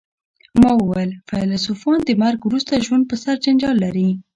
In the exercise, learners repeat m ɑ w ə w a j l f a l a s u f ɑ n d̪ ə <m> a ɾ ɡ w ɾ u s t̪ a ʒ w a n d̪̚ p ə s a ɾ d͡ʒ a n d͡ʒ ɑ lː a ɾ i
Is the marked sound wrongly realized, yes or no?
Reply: no